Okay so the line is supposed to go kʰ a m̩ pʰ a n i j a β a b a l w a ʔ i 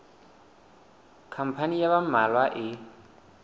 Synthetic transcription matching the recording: kʰ a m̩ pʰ a n i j a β a m a l w a ʔ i